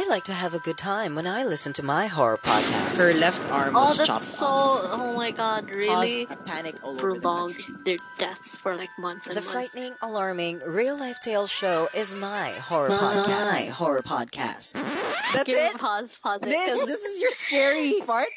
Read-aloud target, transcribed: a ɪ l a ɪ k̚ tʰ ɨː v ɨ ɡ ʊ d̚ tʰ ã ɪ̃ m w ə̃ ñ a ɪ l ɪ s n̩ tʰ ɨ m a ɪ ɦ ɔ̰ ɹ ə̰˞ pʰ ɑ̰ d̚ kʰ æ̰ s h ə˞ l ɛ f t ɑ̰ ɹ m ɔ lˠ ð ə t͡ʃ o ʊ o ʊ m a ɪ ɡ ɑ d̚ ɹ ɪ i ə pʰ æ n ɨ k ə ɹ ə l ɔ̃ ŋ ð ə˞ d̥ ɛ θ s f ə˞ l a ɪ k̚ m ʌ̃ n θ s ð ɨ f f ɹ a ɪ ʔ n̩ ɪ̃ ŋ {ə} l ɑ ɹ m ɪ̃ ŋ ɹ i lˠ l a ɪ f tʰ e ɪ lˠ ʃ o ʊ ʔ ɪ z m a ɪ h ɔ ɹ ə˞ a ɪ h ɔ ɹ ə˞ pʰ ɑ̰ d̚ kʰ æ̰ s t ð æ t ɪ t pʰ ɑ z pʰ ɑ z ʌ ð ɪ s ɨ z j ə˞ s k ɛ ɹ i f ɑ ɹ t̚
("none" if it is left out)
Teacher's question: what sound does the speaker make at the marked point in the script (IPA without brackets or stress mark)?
ə